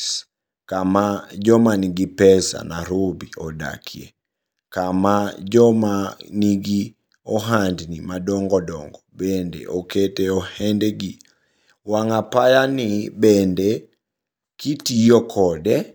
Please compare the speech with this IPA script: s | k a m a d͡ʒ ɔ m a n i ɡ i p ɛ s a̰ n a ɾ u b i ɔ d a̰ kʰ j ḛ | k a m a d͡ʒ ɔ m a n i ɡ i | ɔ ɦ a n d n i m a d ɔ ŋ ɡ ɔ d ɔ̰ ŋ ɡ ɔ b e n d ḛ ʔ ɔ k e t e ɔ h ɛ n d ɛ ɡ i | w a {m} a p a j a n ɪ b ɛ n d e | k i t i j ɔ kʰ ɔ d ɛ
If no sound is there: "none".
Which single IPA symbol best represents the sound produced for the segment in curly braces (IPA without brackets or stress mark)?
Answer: ŋ